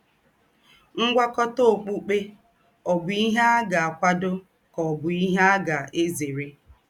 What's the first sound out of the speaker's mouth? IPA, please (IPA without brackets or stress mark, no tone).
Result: ŋ̩